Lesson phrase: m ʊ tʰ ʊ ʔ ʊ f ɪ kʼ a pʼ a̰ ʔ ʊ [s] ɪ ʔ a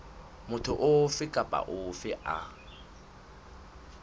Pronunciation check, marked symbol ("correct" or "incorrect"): incorrect